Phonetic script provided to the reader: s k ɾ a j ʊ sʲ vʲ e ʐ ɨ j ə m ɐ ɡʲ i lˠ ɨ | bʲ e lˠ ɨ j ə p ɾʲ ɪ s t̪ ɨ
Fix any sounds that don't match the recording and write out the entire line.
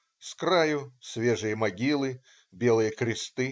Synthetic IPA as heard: s k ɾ a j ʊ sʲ vʲ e ʐ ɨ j ə m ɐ ɡʲ i lˠ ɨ | bʲ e lˠ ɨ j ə k ɾʲ ɪ s t̪ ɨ